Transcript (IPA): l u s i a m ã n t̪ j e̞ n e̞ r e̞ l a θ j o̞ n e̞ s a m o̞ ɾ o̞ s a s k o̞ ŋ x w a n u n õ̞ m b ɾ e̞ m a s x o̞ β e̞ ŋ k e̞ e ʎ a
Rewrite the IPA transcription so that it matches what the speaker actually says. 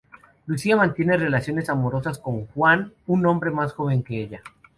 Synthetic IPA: l u s i a m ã n t̪ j e̞ n e̞ r e̞ l a s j o̞ n e̞ s a m o̞ ɾ o̞ s a s k o̞ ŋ x w a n u n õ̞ m b ɾ e̞ m a s x o̞ β e̞ ŋ k e̞ e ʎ a